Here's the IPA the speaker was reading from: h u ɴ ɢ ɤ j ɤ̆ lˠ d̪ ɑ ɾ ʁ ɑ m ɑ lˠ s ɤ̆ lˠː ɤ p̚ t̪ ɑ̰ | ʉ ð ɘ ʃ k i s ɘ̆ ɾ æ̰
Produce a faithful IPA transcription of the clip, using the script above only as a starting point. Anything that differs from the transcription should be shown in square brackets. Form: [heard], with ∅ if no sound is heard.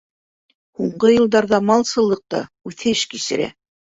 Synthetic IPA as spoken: h u ɴ ɢ ɤ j ɤ̆ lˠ d̪ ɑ ɾ [ð] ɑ m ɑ lˠ s ɤ̆ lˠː ɤ [q̚] t̪ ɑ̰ | ʉ [θ] ɘ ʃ k i s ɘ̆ ɾ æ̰